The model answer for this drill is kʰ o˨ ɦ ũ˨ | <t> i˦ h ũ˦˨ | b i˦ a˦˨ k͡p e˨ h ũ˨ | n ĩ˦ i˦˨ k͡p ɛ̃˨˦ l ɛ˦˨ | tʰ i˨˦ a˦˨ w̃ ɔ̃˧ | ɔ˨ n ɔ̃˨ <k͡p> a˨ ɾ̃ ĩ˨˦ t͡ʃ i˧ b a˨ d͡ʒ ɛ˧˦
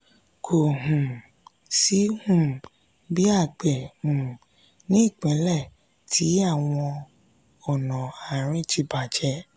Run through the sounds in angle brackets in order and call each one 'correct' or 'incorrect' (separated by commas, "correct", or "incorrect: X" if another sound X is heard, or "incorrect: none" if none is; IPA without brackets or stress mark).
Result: incorrect: s, incorrect: none